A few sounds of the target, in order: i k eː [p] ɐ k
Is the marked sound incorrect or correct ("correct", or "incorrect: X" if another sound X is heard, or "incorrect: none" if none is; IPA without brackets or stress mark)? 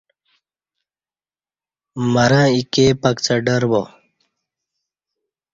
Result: correct